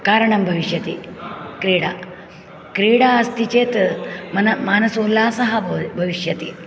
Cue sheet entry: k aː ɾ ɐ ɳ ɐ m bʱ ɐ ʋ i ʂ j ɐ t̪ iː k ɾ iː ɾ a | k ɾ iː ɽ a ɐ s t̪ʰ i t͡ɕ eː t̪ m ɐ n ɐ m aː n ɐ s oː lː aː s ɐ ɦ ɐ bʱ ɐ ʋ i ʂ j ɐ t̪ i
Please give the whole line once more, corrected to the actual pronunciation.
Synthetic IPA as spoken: k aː ɾ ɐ ɳ ɐ m bʱ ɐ ʋ i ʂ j ɐ t̪ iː k ɾ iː ɽ a | k ɾ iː ɽ a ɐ s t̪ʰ i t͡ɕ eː t̪ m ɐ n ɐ m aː n ɐ s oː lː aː s ɐ ɦ ɐ bʱ ɐ ʋ i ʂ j ɐ t̪ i